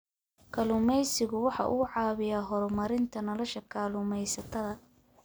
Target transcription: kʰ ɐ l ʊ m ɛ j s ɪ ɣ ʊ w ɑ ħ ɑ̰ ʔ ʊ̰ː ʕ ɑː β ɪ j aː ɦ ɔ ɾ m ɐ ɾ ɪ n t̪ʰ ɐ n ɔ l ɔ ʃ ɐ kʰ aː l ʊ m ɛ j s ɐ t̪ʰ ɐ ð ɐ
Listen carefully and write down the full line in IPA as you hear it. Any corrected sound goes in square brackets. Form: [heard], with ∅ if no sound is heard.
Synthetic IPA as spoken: kʰ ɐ l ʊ m ɛ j s ɪ ɣ ʊ w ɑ ħ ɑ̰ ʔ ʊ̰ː ʕ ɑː β ɪ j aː ɦ ɔ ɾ m ɐ ɾ ɪ n t̪ʰ ɐ n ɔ l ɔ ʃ ɐ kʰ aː l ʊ m ɛ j s ɐ t̪ʰ ɐ ð ɐ